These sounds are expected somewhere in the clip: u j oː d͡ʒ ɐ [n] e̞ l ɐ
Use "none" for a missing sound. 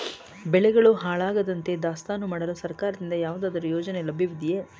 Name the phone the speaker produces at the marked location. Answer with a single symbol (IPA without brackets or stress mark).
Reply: n